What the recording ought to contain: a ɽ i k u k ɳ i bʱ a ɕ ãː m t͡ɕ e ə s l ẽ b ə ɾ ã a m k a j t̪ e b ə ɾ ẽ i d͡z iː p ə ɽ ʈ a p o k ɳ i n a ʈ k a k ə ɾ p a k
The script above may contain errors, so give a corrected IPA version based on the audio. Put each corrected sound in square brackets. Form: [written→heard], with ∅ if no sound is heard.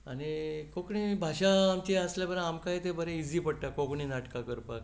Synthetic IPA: a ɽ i k [u→o] k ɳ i bʱ a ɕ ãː m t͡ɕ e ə s l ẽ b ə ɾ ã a m k a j t̪ e b ə ɾ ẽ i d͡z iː p ə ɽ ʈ a [p→k] o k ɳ i n a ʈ k a k ə ɾ p a k